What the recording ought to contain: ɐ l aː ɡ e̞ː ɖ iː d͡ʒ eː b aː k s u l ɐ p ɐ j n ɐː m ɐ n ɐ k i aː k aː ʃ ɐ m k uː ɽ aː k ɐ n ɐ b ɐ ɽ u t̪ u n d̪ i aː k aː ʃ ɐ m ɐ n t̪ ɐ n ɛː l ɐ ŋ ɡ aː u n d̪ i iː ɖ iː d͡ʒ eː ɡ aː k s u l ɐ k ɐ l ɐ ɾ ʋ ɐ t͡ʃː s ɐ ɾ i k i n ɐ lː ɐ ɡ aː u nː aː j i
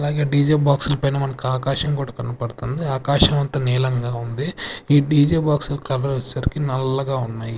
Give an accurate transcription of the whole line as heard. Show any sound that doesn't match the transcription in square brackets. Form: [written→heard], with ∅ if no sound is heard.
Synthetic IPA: ɐ l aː ɡ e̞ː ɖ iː d͡ʒ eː b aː k s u l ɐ p ɐ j n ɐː m ɐ n ɐ k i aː k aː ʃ ɐ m k uː ɽ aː k ɐ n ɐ [b→p] ɐ ɽ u t̪ u n d̪ i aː k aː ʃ ɐ m ɐ n t̪ ɐ n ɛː l ɐ ŋ ɡ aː u n d̪ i iː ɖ iː d͡ʒ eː [ɡ→b] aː k s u l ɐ k ɐ l ɐ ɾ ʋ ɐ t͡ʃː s ɐ ɾ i k i n ɐ lː ɐ ɡ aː u nː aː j i